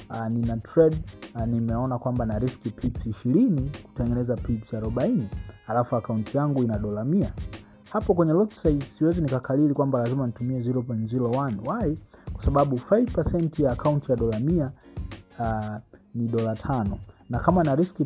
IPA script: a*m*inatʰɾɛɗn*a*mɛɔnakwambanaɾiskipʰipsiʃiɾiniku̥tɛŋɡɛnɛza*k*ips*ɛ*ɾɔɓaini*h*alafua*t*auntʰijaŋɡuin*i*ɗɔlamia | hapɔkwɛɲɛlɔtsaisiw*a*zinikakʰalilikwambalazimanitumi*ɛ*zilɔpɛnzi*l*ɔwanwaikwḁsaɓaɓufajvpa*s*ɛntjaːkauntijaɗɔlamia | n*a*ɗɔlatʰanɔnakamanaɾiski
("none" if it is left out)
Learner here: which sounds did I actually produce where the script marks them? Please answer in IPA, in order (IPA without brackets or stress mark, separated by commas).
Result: n, i, p, a, h, k, a, ɛ, ɛ, l, s, i